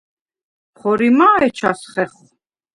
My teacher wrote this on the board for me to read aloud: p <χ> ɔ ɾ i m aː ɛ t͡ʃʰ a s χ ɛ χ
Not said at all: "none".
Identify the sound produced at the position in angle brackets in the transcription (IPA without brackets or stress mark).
χ